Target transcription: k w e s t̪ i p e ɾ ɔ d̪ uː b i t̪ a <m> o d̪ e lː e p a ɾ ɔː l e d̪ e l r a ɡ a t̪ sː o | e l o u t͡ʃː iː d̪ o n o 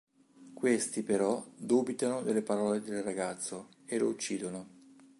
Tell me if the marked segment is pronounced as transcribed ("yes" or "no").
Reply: no